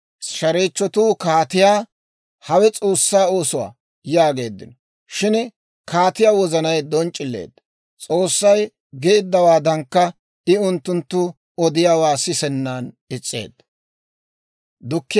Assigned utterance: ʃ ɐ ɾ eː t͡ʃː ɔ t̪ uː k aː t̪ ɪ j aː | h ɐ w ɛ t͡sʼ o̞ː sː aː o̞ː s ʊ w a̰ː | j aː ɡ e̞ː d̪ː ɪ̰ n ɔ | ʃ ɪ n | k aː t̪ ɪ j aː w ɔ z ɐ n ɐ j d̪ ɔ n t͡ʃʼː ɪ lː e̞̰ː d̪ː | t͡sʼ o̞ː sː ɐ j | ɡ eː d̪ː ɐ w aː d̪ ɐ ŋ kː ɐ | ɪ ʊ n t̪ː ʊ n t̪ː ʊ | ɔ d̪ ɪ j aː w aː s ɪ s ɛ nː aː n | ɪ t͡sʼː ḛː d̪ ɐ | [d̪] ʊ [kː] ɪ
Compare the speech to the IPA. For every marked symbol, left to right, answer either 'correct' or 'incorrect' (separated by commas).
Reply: correct, correct